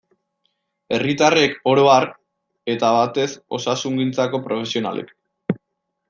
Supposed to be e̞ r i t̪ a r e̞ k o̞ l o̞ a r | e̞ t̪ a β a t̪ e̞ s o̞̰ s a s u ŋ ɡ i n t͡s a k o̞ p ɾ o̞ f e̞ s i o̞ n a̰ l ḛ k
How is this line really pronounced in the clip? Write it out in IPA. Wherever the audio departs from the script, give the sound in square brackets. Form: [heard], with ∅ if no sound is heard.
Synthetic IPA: e̞ r i t̪ a r e̞ k o̞ [ɾ] o̞ a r | e̞ t̪ a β a t̪ e̞ s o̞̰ s a s u ŋ ɡ i n t͡s a k o̞ p ɾ o̞ f e̞ s i o̞ n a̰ l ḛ k